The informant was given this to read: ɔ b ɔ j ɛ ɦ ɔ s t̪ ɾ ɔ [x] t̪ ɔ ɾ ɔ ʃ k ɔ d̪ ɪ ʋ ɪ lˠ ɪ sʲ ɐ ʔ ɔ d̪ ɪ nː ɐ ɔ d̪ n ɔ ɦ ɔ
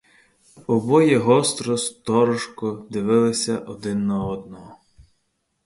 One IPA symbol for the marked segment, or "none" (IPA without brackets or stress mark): s